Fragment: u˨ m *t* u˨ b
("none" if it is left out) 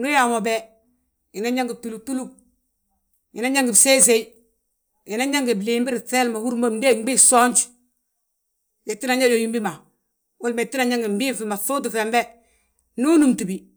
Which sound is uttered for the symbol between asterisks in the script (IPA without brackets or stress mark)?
t